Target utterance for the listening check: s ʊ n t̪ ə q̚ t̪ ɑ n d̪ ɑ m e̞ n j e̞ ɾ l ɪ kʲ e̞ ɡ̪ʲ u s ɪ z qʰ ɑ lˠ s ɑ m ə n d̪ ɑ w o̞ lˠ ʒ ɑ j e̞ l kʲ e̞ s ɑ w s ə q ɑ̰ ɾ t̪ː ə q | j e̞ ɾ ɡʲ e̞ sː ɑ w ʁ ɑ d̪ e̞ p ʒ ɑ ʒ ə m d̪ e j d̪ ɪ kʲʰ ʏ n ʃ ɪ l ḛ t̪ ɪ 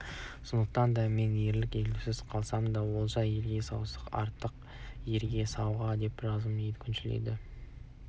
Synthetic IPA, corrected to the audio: s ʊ n d̪ ə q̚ t̪ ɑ n d̪ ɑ m e̞ n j e̞ ɾ l ɪ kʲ e̞ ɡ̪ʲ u s ɪ z qʰ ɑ lˠ s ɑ m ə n d̪ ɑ w o̞ lˠ ʒ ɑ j e̞ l ɡʲ e̞ s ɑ w s ə q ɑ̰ ɾ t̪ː ə q | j e̞ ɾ ɡʲ e̞ s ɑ w ʁ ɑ d̪ e̞ p ʒ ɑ z ə m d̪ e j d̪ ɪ kʲʰ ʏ n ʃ ɪ l ḛ d̪ ɪ